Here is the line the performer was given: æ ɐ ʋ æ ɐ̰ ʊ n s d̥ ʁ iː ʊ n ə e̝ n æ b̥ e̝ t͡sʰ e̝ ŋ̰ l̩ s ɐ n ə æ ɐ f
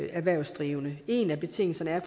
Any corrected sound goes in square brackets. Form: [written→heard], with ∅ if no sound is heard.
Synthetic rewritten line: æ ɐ ʋ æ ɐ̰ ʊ [n→∅] s d̥ ʁ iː ʊ n ə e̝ n æ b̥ e̝ t͡sʰ e̝ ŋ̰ l̩ s ɐ n ə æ ɐ f